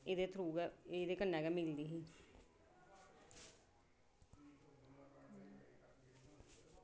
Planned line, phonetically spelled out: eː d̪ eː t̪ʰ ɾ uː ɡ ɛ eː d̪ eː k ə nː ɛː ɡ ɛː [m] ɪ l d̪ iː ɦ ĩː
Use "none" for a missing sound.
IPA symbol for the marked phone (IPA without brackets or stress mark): m